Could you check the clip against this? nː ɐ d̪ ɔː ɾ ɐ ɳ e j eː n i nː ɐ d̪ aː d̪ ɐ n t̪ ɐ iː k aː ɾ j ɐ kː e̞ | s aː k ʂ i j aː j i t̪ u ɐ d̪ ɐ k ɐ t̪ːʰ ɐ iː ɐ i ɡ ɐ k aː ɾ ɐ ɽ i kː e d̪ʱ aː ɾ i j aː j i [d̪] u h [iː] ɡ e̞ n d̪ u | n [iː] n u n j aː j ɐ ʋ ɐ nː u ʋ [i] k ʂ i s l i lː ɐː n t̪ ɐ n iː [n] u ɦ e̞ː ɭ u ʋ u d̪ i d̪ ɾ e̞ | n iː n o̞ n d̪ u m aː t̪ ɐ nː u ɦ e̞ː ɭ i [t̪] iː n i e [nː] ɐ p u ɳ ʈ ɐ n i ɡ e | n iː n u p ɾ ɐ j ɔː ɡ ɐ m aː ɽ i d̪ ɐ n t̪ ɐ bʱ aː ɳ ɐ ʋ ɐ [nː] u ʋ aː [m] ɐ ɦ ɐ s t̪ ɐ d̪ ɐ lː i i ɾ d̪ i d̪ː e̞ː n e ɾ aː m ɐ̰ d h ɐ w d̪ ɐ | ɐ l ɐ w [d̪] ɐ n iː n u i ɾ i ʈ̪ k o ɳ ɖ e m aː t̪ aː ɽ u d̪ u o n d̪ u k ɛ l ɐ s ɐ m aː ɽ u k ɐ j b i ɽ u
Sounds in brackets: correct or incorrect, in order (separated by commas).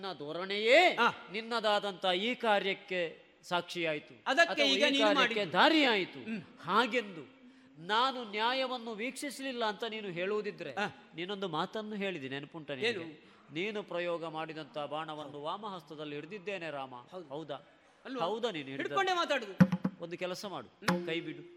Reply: incorrect, incorrect, incorrect, incorrect, correct, incorrect, incorrect, correct, correct, correct